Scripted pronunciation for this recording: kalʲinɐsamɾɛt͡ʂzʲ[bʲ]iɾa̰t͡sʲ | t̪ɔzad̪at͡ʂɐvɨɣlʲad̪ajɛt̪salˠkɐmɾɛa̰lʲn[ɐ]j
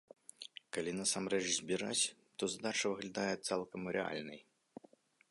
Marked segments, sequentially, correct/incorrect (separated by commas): correct, correct